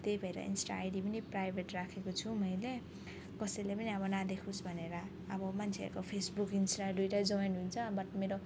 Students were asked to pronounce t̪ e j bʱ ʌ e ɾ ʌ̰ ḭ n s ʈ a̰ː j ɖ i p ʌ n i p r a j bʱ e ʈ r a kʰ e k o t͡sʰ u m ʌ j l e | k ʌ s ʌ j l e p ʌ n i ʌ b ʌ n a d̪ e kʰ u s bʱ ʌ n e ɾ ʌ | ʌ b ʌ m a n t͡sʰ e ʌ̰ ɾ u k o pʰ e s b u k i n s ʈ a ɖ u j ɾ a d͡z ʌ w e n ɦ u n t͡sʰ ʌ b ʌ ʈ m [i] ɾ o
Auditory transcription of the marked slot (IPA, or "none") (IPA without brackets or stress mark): e